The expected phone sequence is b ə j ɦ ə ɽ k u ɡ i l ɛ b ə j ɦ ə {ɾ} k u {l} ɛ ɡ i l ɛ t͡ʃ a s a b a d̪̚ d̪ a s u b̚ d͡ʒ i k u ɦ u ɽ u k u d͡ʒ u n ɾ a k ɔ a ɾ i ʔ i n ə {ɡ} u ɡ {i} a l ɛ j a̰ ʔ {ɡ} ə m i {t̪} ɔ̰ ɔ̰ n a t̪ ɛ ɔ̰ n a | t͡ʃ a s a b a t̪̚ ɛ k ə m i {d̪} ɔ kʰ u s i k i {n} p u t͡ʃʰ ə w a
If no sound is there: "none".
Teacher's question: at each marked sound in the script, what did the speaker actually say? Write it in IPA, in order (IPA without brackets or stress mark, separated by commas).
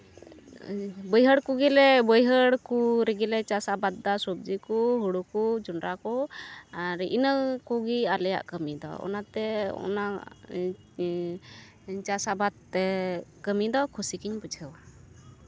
ɽ, ɾ, k, i, k, d̪, d̪, ɲ